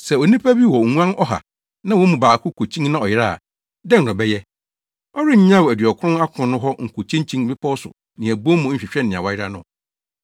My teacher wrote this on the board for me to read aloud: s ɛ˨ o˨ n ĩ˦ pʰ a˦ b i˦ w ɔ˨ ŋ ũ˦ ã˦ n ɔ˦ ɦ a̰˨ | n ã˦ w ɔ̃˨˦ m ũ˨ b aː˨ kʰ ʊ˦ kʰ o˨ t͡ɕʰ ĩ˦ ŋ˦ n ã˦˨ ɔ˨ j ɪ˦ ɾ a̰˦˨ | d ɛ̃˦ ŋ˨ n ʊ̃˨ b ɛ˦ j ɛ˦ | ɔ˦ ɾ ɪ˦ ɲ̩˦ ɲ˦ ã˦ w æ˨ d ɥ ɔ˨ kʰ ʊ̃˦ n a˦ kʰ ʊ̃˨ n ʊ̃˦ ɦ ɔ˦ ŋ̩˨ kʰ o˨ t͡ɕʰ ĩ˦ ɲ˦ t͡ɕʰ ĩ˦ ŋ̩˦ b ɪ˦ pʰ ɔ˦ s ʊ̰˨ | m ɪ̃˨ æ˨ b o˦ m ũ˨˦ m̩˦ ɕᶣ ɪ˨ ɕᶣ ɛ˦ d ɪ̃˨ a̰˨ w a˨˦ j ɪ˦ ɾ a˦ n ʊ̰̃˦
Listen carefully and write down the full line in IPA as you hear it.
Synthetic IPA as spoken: s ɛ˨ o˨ n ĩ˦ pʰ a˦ b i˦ w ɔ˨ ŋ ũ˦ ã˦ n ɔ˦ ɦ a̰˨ | n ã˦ w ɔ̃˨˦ m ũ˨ b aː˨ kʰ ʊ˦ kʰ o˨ t͡ɕʰ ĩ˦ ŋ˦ n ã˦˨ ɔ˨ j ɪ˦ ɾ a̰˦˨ | d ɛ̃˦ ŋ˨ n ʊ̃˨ b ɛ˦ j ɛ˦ | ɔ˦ ɾ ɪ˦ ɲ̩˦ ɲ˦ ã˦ w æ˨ d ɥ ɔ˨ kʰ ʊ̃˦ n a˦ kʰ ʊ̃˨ n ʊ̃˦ ɦ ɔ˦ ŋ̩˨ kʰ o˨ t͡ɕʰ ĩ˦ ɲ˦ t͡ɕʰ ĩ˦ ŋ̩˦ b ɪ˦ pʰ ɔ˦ s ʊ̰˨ | n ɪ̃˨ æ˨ b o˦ m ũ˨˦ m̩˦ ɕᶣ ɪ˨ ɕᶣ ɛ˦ n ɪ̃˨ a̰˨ w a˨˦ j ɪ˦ ɾ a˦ n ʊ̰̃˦